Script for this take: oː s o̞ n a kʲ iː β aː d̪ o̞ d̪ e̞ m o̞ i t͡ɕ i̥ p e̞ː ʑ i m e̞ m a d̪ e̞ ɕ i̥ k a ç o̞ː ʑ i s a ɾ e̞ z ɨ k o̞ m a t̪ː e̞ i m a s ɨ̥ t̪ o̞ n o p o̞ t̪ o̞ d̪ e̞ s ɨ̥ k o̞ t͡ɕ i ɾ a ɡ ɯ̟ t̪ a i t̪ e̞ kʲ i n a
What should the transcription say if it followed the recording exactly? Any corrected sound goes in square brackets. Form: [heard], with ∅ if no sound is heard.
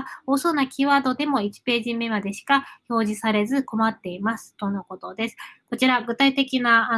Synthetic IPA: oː s o̞ n a kʲ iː β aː d̪ o̞ d̪ e̞ m o̞ i t͡ɕ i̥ p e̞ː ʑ i m e̞ m a d̪ e̞ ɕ i̥ k a ç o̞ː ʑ i s a ɾ e̞ z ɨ k o̞ m a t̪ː e̞ i m a s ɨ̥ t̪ o̞ n o [k] o̞ t̪ o̞ d̪ e̞ s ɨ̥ k o̞ t͡ɕ i ɾ a ɡ ɯ̟ t̪ a i t̪ e̞ kʲ i n a